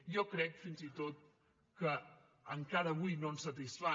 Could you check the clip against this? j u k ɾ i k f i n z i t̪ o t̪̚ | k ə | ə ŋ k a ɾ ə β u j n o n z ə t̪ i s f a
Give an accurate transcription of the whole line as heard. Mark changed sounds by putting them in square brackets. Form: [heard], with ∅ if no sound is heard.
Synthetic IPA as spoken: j [ɔ] k ɾ [ɛ] k f i n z i t̪ o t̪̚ | k ə | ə ŋ k a ɾ ə β u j n o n [s] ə t̪ i s f a